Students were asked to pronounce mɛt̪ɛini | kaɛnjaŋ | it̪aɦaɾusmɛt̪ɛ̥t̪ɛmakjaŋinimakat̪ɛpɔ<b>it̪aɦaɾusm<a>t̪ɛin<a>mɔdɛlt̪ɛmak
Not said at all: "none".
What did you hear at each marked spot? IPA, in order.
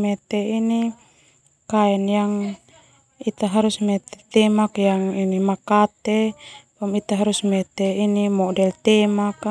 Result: m, ɛ, i

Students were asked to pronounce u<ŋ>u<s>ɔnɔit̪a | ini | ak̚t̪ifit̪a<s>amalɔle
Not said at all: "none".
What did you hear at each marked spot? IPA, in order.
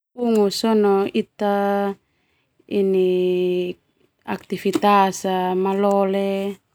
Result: ŋ, s, s

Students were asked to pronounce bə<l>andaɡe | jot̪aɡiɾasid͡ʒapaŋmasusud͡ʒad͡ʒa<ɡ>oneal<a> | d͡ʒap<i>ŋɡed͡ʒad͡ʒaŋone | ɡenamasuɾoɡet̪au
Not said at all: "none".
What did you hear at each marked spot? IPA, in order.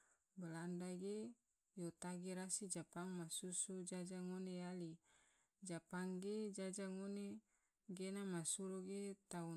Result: l, ŋ, i, a

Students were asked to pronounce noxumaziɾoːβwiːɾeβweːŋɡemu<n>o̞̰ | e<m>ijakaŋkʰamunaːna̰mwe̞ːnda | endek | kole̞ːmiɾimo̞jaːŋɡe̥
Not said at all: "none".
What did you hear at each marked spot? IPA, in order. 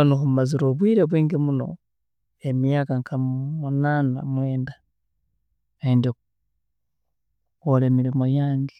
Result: n, m

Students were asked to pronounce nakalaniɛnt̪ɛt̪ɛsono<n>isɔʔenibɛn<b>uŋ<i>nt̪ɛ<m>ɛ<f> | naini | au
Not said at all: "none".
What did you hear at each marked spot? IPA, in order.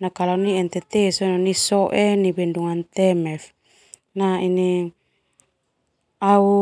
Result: n, d, a, m, f

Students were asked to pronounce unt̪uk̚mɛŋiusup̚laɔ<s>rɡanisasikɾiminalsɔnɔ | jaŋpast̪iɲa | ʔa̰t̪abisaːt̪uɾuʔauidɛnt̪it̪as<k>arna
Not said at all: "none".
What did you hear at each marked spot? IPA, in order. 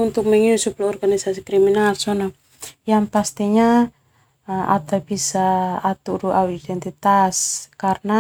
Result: none, k

